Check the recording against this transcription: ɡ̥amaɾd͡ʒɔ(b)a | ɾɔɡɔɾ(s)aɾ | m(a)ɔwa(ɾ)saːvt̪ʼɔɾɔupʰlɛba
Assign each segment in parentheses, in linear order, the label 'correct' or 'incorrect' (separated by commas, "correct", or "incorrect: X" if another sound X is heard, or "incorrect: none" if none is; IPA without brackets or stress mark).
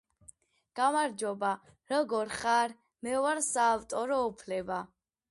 correct, incorrect: χ, incorrect: ɛ, correct